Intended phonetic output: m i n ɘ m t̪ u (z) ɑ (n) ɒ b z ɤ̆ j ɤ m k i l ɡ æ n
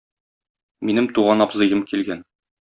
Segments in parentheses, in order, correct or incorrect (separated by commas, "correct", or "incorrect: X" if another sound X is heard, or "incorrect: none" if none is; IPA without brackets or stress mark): incorrect: ʁ, correct